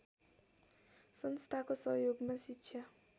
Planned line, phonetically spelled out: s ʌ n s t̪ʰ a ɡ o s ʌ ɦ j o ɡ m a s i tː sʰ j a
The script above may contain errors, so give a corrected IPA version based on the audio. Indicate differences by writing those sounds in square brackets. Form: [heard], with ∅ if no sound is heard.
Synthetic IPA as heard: s ʌ n s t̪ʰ a [k] o s ʌ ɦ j o ɡ m a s i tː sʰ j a